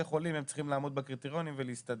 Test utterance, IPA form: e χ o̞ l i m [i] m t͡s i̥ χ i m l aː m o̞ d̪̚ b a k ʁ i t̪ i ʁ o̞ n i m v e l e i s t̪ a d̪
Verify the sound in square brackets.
incorrect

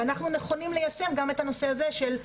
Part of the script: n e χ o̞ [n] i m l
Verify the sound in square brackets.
correct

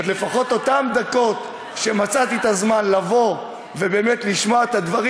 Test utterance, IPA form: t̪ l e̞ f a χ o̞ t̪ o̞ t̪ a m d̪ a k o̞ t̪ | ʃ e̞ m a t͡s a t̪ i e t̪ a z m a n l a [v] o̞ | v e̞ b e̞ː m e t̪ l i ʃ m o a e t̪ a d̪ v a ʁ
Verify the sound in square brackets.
correct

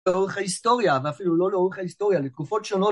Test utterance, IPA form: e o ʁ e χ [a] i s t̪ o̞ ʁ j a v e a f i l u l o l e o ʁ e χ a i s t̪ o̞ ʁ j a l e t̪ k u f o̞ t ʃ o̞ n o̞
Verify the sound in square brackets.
correct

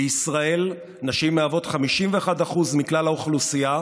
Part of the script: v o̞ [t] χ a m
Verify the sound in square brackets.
correct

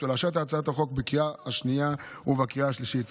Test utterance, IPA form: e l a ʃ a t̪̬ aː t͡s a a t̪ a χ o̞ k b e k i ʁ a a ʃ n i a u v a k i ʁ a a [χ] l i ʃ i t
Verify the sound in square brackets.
incorrect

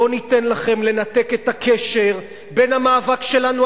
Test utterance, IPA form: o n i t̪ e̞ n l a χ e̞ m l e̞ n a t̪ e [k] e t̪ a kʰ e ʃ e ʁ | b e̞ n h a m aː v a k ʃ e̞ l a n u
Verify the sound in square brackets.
correct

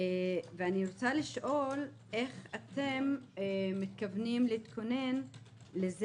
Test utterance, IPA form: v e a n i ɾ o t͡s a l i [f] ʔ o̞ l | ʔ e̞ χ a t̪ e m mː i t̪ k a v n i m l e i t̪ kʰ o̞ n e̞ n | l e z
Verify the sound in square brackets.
incorrect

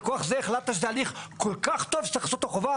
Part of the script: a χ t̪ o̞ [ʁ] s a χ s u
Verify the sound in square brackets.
incorrect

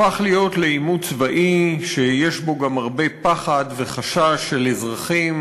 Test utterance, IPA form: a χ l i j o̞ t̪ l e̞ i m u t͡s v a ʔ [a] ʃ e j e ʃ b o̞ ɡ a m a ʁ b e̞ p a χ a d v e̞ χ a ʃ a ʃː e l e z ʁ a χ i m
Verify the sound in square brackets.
incorrect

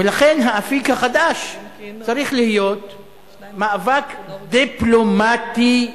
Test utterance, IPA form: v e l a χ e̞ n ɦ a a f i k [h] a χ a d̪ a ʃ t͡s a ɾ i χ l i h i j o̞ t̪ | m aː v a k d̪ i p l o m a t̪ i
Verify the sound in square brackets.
correct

